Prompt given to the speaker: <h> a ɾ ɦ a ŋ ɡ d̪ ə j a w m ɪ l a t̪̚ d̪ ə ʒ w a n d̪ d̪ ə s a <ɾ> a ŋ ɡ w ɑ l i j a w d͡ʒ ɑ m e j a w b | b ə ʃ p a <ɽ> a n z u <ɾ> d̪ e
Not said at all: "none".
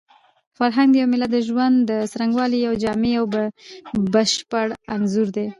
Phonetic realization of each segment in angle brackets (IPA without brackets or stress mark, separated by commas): f, ɾ, ɽ, ɾ